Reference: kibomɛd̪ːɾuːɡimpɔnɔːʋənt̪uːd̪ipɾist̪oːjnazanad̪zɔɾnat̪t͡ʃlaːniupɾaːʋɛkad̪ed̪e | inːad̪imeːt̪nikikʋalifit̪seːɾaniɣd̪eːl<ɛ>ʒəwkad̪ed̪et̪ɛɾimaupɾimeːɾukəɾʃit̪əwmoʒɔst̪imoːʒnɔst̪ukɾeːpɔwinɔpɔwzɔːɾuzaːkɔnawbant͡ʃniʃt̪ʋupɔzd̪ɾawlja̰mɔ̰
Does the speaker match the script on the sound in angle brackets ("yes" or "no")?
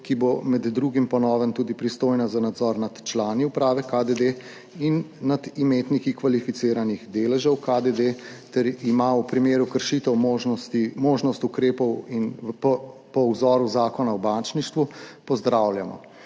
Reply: yes